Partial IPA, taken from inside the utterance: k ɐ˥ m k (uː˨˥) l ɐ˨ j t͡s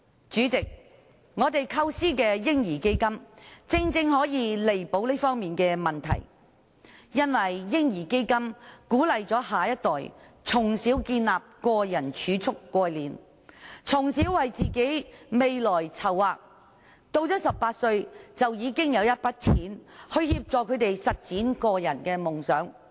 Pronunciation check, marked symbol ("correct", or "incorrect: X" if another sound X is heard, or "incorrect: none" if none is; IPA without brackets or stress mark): correct